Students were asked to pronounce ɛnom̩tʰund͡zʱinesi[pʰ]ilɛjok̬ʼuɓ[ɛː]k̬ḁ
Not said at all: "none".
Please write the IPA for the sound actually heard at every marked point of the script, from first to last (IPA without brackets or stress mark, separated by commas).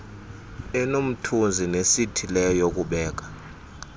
tʰ, ɛː